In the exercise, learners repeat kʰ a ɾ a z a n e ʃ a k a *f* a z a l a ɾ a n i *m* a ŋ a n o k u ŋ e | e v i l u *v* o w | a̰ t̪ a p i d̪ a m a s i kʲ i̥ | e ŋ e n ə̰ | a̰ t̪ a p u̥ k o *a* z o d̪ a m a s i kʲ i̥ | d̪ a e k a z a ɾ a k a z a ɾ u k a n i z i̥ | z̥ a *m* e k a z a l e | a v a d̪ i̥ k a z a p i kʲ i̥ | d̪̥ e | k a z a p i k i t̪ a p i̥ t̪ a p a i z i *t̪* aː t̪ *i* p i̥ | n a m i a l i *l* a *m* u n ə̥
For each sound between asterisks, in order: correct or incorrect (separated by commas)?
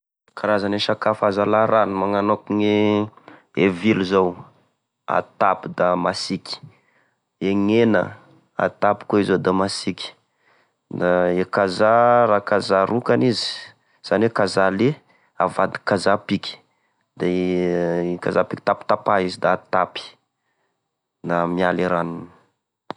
correct, correct, incorrect, incorrect, incorrect, incorrect, incorrect, incorrect, incorrect